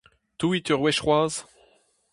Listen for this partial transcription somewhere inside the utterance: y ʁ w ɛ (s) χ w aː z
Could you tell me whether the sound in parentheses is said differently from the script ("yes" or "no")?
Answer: yes